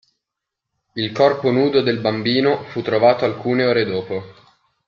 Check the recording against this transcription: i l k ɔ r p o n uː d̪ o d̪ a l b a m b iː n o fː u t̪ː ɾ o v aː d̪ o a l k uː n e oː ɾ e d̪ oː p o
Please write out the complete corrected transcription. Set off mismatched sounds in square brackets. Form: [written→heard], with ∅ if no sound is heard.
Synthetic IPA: i l k ɔ r p o n uː d̪ o d̪ [a→e] l b a m b iː n o [fː→f] u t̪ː ɾ o v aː [d̪→t̪] o a l k uː n e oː ɾ e d̪ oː p o